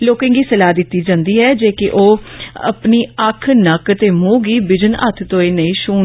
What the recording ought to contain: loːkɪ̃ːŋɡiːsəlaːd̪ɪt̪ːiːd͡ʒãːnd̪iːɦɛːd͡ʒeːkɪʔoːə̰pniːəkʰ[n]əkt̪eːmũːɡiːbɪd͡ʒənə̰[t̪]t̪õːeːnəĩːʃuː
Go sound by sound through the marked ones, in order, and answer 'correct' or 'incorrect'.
correct, incorrect

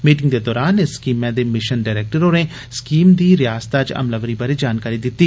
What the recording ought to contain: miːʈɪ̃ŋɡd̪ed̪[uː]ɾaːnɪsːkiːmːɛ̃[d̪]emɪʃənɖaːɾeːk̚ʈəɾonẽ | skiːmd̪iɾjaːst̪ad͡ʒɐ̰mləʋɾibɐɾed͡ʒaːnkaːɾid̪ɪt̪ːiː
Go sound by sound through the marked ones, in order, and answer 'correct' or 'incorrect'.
incorrect, correct

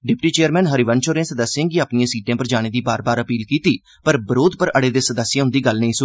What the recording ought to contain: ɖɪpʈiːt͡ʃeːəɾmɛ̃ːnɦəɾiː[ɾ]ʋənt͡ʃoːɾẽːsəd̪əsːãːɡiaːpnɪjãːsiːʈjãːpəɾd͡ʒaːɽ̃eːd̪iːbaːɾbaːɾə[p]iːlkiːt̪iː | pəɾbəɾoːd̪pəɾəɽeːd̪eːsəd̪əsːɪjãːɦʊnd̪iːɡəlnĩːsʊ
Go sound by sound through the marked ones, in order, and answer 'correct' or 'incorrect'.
incorrect, correct

